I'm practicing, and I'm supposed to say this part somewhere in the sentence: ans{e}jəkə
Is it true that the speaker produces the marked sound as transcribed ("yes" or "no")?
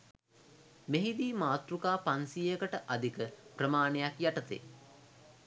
no